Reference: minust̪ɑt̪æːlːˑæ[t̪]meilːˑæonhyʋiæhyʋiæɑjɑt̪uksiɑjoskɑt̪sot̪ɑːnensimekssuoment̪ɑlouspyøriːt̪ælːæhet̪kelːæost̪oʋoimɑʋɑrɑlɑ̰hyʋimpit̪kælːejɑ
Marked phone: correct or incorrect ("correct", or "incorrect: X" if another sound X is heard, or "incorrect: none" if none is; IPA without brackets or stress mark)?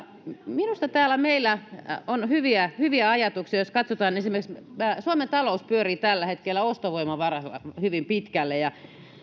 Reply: incorrect: none